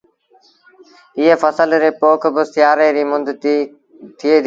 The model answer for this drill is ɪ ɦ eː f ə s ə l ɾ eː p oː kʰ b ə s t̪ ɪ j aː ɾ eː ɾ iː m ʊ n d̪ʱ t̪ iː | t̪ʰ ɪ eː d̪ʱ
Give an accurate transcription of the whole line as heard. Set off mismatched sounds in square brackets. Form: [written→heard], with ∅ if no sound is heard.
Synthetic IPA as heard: ɪ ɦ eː f ə s ə l ɾ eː p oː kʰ b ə s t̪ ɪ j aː ɾ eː ɾ iː m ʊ n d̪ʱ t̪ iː | t̪ʰ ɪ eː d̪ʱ